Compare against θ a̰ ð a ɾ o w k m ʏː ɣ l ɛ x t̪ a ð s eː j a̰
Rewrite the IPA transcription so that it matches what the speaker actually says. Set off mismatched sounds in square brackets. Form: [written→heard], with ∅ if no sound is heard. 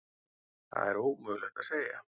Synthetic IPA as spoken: θ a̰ ð [a→ɛ] ɾ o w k m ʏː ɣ l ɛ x t̪ a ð s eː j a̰